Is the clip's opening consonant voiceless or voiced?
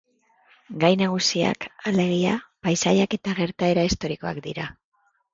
voiced